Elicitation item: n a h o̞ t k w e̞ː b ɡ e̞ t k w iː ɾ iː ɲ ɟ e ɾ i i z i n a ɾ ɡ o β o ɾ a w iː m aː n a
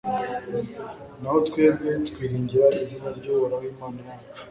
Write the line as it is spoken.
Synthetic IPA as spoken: n a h o̞ t k w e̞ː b ɡ e̞ t k w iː ɾ iː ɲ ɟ i ɾ a i z i n a ɾ ɟ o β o ɾ a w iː m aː n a